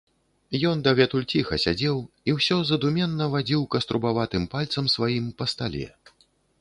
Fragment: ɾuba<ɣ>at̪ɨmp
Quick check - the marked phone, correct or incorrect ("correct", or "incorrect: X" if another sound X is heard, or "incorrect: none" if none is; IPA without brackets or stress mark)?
incorrect: v